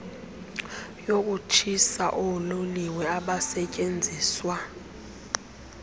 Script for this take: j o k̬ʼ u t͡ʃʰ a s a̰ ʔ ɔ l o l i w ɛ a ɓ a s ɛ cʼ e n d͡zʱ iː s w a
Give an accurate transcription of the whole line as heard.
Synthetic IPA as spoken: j o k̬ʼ u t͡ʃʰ i s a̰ ʔ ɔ l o l i w ɛ a ɓ a s ɛ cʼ e n d͡zʱ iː s w a